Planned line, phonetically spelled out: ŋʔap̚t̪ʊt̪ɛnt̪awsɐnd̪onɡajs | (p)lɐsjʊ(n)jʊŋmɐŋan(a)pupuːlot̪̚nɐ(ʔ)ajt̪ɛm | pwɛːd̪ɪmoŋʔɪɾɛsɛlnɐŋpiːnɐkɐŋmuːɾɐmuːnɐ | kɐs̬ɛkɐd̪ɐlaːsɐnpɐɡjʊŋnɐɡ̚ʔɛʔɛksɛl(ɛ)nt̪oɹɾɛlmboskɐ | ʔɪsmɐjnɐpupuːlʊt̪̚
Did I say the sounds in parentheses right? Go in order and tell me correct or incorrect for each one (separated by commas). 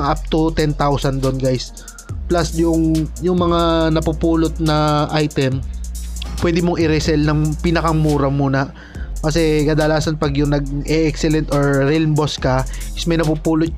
correct, incorrect, incorrect, correct, correct